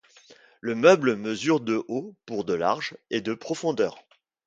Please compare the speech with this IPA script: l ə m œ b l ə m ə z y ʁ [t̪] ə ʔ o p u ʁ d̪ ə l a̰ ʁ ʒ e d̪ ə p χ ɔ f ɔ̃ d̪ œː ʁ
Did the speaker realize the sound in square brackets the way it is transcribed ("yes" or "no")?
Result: no